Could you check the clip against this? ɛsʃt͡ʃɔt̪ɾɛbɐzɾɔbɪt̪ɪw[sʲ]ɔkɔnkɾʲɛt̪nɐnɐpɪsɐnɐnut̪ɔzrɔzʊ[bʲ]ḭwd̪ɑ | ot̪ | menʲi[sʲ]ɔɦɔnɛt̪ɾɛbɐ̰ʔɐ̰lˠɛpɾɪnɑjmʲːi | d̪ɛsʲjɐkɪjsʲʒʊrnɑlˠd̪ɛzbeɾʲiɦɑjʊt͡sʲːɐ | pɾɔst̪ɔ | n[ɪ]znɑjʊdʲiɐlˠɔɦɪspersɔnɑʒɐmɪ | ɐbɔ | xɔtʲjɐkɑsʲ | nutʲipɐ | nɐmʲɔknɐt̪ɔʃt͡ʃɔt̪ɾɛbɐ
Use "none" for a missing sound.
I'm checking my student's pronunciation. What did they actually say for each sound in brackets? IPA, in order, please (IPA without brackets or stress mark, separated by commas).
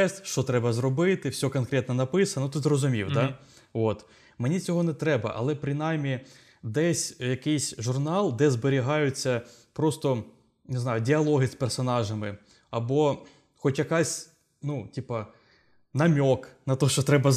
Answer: sʲ, mʲ, t͡sʲ, ɪ